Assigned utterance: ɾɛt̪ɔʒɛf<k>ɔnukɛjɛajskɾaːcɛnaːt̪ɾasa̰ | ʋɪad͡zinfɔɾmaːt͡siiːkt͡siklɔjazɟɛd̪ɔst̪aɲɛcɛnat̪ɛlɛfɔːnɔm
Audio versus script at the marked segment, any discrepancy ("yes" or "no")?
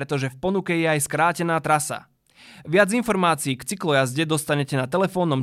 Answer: yes